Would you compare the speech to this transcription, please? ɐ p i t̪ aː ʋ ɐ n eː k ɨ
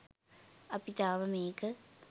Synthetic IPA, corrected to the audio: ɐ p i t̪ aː ʋ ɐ m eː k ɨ